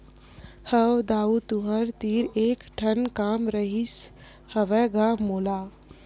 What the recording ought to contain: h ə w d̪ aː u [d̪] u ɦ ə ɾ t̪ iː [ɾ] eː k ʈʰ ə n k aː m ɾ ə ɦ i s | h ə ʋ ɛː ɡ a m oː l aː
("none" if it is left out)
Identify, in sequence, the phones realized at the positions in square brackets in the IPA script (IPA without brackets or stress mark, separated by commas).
t̪, ɾ